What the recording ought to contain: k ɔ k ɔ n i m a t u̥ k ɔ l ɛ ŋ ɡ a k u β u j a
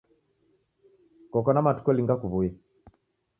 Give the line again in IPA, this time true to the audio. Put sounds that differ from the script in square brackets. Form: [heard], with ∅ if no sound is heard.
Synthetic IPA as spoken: k ɔ k ɔ n [a] m a t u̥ k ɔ l [i] ŋ ɡ a k u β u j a